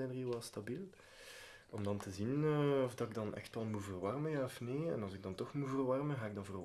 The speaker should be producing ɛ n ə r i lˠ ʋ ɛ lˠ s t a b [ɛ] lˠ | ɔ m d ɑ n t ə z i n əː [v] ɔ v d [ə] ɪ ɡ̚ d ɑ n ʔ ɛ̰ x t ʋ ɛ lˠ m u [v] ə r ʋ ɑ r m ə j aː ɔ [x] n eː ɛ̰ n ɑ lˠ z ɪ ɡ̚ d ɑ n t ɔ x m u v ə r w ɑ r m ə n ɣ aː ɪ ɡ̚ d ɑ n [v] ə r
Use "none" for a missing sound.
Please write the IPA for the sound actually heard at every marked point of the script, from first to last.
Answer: i, none, ɑ, v, f, v

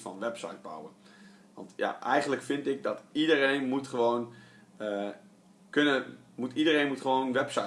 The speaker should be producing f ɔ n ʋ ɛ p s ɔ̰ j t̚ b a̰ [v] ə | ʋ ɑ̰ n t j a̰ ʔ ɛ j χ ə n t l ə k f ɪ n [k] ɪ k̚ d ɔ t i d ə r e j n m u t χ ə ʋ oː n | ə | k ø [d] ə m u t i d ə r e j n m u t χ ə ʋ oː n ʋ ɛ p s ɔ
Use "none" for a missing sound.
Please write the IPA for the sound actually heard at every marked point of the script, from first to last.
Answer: w, t, n

